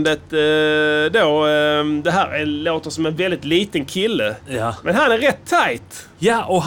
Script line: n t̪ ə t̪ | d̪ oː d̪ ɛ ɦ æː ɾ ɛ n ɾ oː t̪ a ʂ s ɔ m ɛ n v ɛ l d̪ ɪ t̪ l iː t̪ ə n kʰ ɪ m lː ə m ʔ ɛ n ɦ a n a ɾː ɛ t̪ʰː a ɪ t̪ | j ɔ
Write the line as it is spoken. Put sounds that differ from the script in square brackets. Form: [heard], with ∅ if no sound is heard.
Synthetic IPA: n [d̪] ə t̪ | d̪ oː d̪ ɛ ɦ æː ɾ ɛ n [l] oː t̪ [ə] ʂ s ɔ m ɛ n v ɛ l d̪ ɪ t̪ l iː t̪ ə n kʰ ɪ [∅] lː ə m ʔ ɛ n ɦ a n [æ] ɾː ɛ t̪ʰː a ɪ t̪ | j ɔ